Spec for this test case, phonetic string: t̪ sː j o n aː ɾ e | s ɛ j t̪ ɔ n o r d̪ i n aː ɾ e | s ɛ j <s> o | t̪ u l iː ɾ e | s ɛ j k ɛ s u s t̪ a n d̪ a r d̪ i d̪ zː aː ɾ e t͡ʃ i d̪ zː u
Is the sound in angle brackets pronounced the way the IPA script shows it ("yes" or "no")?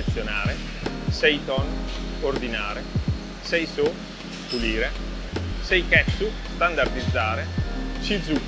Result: yes